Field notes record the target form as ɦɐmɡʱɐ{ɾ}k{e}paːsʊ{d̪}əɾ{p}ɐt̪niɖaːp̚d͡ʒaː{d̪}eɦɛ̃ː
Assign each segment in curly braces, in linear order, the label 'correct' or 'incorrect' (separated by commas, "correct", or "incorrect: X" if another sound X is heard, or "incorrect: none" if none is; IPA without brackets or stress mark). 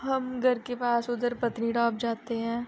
correct, correct, correct, correct, incorrect: t̪